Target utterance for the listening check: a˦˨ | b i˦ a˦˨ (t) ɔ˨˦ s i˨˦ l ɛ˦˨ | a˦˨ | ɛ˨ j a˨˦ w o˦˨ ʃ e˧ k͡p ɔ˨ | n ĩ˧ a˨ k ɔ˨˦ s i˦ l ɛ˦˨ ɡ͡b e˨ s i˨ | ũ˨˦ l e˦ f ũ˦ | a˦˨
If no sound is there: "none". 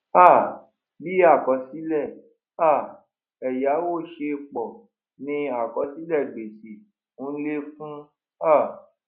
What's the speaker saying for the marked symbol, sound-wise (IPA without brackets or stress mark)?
k